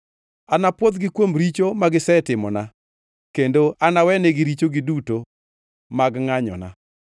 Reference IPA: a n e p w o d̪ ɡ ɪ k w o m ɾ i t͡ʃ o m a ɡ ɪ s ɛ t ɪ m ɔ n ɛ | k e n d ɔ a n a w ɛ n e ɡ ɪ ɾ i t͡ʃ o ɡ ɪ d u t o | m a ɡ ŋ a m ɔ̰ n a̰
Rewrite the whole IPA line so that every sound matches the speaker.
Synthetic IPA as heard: a n a p w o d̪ ɡ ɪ k w o m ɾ i t͡ʃ o m a ɡ ɪ s ɛ t ɪ m ɔ n a | k e n d o a n a w ɛ n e ɡ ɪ ɾ i t͡ʃ o ɡ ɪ d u t o | m a ɡ ŋ a ɲ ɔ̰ n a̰